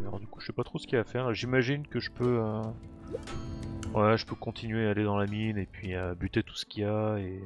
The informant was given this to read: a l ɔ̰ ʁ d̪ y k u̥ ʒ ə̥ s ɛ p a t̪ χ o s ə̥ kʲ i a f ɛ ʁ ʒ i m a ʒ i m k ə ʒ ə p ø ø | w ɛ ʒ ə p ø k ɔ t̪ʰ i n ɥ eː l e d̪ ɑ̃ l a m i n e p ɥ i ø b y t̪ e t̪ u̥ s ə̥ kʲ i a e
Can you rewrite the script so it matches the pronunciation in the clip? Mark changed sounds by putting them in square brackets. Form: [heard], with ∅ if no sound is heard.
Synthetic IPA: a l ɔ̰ ʁ d̪ y k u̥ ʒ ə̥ s ɛ p a t̪ χ o s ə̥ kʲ i a f ɛ ʁ ʒ i m a ʒ i [n] k ə ʒ ə p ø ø | w ɛ ʒ ə p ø k [ɔ̃] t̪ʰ i n ɥ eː l e d̪ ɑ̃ l a m i n e p ɥ i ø b y t̪ e t̪ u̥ s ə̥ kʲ i a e